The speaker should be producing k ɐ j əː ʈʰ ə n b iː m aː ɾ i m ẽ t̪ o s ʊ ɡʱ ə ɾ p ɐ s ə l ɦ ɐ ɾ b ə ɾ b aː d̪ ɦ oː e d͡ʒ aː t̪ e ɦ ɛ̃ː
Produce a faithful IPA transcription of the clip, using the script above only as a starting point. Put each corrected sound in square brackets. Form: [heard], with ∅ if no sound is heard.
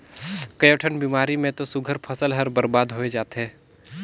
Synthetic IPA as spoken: k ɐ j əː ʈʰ ə n b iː m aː ɾ i m ẽ t̪ o s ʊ ɡʱ ə ɾ [pʰ] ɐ s ə l ɦ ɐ ɾ b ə ɾ b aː d̪ ɦ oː e d͡ʒ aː t̪ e ɦ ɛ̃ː